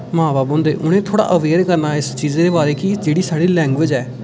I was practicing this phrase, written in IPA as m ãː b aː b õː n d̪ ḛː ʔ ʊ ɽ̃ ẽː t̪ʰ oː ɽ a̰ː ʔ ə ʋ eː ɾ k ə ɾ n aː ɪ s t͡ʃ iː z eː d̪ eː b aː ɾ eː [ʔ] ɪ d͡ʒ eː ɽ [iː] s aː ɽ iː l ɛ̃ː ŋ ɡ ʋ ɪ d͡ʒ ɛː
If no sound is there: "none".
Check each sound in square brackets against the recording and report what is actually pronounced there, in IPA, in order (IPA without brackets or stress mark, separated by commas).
k, iː